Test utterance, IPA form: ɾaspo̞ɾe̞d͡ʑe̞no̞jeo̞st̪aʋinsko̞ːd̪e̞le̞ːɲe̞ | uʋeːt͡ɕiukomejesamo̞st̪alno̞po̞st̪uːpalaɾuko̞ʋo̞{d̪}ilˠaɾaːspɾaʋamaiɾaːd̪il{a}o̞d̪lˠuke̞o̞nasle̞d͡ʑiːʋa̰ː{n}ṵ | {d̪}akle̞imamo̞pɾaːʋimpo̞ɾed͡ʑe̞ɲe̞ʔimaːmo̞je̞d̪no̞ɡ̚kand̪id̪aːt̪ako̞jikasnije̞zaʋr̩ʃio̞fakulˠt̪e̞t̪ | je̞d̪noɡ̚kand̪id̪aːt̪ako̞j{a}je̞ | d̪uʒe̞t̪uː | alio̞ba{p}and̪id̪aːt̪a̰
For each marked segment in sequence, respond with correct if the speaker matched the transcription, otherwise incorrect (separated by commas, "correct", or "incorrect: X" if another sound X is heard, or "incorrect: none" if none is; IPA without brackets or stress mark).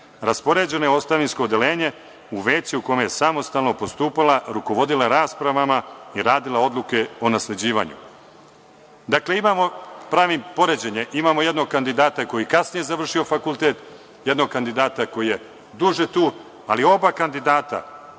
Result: correct, correct, incorrect: ɲ, correct, incorrect: i, incorrect: k